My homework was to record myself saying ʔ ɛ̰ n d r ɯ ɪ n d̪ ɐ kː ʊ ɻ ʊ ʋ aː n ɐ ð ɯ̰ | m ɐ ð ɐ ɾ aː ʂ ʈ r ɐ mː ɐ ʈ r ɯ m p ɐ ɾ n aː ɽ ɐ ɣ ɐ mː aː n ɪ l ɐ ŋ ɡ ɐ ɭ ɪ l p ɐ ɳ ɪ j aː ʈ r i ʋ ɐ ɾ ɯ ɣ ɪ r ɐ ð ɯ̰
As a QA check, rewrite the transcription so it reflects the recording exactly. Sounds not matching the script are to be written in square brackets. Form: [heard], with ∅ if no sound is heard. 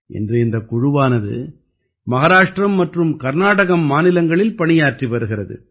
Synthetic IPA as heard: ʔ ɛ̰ n d r ɯ ɪ n d̪ ɐ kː ʊ ɻ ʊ ʋ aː n ɐ ð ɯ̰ | m ɐ [ɣ] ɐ ɾ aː ʂ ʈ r ɐ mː ɐ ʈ r ɯ m [k] ɐ ɾ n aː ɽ ɐ ɣ ɐ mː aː n ɪ l ɐ ŋ ɡ ɐ ɭ ɪ l p ɐ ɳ ɪ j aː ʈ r i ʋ ɐ ɾ ɯ ɣ ɪ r ɐ ð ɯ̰